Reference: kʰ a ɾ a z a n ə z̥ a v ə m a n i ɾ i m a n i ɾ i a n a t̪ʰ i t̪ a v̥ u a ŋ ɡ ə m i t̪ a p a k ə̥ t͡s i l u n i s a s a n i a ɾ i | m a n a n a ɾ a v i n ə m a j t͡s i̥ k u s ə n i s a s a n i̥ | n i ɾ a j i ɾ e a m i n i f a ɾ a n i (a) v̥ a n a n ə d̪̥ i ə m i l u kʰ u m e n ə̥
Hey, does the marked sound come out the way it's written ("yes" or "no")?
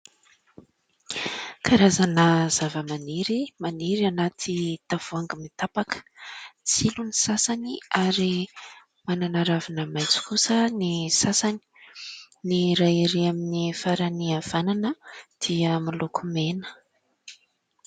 yes